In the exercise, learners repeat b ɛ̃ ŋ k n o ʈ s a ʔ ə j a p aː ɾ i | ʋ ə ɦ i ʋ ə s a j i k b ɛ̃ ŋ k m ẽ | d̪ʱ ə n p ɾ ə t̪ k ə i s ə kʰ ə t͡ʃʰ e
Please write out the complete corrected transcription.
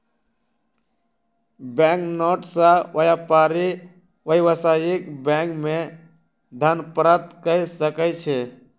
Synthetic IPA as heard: b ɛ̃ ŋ k n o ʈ s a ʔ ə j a p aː ɾ i | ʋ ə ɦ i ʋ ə s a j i k b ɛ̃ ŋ k m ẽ | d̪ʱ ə n p ɾ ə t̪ k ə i s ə k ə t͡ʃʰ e